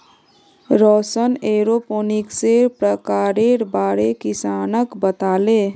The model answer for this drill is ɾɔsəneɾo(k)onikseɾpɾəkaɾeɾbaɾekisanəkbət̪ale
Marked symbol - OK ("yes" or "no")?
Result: no